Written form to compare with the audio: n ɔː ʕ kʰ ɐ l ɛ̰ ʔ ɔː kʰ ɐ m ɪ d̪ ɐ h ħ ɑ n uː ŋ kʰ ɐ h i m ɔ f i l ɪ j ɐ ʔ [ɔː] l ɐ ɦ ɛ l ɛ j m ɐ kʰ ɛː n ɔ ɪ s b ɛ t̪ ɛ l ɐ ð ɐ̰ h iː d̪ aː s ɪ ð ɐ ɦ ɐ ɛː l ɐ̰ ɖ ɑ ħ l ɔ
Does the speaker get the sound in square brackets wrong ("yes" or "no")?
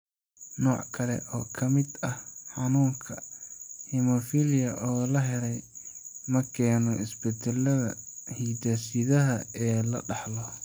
no